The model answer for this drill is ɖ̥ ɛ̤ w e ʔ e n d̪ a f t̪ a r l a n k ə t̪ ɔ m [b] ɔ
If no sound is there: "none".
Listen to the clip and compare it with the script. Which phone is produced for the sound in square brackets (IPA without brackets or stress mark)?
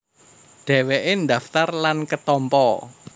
p